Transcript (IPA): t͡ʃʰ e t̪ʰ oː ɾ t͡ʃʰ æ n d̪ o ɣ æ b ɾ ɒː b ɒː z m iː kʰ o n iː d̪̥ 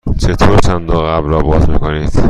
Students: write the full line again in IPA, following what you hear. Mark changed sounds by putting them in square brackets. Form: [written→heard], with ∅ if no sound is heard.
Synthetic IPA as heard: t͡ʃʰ e t̪ʰ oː ɾ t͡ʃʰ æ n d̪ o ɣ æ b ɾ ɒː b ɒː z m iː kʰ o n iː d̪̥